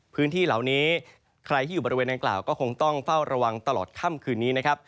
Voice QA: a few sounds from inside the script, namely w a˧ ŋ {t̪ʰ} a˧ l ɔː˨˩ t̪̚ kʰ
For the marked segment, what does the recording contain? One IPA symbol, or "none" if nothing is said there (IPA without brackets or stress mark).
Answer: t̪